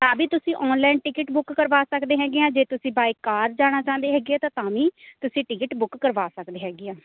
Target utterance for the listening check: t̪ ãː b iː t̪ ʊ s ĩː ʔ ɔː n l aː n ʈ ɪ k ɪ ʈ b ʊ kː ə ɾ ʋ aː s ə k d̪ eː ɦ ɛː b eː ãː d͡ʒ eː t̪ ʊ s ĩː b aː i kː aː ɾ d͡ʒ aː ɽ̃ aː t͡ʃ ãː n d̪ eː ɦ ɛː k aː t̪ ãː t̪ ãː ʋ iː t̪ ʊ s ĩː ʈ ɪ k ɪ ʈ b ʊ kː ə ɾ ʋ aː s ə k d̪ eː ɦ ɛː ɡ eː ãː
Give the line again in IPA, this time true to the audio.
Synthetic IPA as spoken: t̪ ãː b iː t̪ ʊ s ĩː ʔ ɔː n l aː n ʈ ɪ k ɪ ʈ b ʊ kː ə ɾ ʋ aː s ə k d̪ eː ɦ ɛː ɡ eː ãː d͡ʒ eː t̪ ʊ s ĩː b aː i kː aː ɾ d͡ʒ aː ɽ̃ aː t͡ʃ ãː n d̪ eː ɦ ɛː ɡ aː t̪ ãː t̪ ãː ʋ iː t̪ ʊ s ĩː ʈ ɪ k ɪ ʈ b ʊ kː ə ɾ ʋ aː s ə k d̪ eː ɦ ɛː ɡ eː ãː

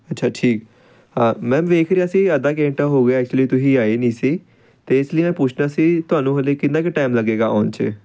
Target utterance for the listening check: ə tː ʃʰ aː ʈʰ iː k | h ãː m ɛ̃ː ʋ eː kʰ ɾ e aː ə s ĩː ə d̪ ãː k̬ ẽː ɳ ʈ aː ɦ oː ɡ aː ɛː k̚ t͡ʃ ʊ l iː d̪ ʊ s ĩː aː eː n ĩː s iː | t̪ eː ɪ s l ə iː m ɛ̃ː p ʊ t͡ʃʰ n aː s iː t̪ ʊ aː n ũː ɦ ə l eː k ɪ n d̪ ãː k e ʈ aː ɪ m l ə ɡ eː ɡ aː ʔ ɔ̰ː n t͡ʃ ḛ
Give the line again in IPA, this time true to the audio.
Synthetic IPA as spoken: ə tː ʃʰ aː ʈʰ iː k | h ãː m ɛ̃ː ʋ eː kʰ ɾ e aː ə s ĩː ə d̪ aː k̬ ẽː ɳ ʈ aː ɦ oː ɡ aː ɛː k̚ t͡ʃ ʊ l iː t̪ ʊ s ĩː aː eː n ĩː s iː | t̪ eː ɪ s l ə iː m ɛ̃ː p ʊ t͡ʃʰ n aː s iː t̪ ʊ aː n ũː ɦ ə l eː k ɪ n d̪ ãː k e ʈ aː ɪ m l ə ɡ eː ɡ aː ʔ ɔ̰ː n t͡ʃ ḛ

